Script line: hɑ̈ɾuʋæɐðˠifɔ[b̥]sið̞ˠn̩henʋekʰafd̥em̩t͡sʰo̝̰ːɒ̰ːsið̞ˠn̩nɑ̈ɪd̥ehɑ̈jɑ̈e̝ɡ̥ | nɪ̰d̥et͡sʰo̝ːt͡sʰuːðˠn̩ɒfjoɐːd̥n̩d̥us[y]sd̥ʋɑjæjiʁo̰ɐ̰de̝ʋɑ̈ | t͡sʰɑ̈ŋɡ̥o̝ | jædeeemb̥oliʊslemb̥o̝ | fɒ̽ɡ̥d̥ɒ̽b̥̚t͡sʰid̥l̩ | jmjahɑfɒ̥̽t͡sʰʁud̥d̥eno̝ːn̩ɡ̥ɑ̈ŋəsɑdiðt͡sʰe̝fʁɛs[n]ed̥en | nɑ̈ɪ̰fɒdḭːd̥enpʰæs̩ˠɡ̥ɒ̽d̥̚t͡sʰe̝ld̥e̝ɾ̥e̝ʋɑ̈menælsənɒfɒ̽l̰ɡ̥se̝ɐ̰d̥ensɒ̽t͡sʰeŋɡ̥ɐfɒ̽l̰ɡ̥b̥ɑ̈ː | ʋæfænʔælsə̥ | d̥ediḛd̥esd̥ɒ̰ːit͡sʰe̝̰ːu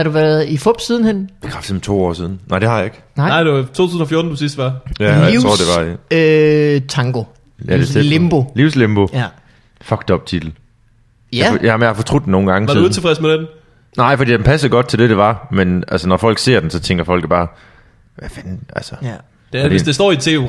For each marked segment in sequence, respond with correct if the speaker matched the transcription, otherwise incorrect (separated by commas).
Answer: correct, incorrect, incorrect